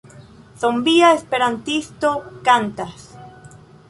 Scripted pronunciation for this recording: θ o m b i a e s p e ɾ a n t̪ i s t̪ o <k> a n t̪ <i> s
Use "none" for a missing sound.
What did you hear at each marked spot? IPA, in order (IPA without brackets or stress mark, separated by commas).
k, a